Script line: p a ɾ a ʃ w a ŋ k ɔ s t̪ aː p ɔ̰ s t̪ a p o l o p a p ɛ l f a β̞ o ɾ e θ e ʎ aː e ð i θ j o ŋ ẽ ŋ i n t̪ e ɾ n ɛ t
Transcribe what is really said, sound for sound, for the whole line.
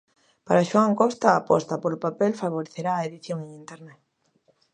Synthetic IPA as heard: p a ɾ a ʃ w a ŋ k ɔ s t̪ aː p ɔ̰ s t̪ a p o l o p a p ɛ l f a β̞ o ɾ e θ e ɾ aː e ð i θ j o ŋ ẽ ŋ i n t̪ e ɾ n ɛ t